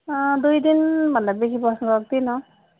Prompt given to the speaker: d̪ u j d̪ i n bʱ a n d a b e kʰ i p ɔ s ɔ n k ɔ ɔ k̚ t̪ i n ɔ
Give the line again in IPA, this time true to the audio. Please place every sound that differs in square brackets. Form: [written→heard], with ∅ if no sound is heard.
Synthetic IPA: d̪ u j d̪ i n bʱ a n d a b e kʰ i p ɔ s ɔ n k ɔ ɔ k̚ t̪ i n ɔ